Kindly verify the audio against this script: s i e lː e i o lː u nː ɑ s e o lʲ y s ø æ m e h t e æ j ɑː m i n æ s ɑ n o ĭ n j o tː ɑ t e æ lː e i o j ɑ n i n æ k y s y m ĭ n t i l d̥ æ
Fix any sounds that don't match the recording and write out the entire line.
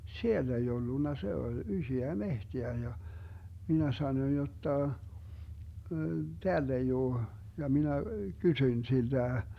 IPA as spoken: s i e lː e i o lː u nː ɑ s e o lʲ y s ø æ m e h t e æ j ɑ m i n æ s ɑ n o ĭ n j o tː ɑ t e æ lː e i oː j ɑ m i n æ k y s y ĭ n s i l d̥ æ